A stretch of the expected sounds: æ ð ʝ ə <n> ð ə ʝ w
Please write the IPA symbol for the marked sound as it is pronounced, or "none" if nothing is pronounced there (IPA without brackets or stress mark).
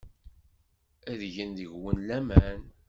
n